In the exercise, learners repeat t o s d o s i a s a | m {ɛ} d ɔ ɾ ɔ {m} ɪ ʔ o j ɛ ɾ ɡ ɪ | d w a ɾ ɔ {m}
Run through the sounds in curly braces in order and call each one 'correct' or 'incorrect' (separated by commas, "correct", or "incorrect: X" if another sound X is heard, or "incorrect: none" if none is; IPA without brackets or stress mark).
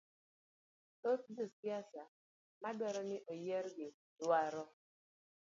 incorrect: a, incorrect: n, incorrect: none